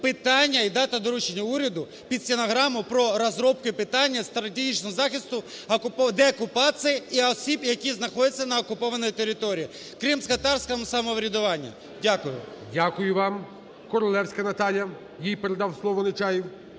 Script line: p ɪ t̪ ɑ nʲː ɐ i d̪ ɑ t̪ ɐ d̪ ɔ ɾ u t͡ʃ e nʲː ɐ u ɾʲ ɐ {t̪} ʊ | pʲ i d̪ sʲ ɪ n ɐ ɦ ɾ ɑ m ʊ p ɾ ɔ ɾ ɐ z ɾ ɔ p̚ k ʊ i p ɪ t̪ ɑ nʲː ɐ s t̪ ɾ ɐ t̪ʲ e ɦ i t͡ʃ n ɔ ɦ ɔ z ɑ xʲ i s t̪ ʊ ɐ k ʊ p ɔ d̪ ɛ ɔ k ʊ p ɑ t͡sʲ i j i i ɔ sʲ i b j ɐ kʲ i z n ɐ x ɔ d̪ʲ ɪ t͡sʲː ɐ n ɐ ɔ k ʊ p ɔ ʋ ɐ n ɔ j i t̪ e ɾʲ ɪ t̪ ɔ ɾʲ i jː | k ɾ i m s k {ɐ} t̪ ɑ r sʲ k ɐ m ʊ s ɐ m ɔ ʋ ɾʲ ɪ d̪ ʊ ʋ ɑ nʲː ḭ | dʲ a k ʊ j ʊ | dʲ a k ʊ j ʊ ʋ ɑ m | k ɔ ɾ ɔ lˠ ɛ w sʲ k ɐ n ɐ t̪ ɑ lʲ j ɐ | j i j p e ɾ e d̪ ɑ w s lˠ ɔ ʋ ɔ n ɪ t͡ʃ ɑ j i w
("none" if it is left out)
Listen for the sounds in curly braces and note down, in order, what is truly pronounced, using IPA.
d̪, ɐ

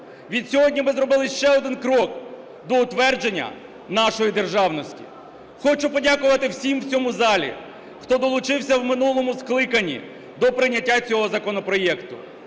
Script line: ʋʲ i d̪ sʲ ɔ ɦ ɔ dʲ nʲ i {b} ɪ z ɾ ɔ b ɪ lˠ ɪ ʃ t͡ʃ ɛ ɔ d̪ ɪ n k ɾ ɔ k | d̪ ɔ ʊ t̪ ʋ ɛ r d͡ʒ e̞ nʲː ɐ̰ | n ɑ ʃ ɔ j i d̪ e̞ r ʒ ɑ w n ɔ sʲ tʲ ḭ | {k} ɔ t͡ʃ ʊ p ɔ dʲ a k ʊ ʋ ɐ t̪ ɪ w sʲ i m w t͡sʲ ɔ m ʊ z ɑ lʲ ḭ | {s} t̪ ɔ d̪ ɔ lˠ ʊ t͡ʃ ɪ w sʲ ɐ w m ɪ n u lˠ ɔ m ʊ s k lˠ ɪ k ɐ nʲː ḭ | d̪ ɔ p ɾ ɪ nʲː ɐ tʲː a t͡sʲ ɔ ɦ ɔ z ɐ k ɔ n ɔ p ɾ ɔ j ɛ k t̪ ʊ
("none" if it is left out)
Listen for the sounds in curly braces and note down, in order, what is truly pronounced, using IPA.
m, x, x

